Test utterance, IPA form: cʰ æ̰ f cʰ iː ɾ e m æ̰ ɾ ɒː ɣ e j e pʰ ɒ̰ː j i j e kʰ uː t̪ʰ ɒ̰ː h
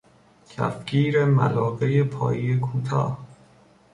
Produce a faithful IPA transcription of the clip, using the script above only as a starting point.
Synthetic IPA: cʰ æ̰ f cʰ iː ɾ e m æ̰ l ɒː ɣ e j e pʰ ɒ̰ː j i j e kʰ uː t̪ʰ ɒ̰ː h